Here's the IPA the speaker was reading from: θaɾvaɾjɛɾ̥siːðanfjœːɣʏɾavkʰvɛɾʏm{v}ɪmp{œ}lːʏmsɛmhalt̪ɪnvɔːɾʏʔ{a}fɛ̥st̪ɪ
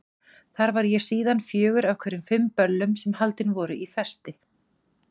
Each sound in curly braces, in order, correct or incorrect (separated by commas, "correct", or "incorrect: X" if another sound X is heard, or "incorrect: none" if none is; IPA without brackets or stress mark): incorrect: f, correct, incorrect: i